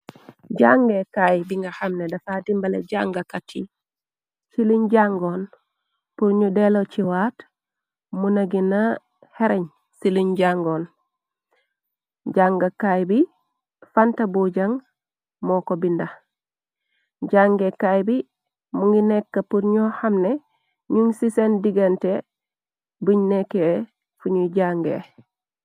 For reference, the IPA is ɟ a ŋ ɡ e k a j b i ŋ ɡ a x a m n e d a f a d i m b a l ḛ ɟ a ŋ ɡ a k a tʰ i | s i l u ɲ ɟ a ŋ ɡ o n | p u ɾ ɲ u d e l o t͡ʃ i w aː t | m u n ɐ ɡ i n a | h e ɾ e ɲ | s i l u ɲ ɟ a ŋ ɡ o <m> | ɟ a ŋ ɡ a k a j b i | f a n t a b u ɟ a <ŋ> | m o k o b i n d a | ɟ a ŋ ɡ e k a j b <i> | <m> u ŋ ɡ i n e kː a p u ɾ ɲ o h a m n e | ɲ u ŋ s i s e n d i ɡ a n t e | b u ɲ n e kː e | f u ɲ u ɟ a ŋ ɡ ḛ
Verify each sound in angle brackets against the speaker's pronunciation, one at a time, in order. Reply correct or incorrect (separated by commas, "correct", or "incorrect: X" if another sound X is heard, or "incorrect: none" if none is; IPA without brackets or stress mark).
incorrect: n, correct, correct, correct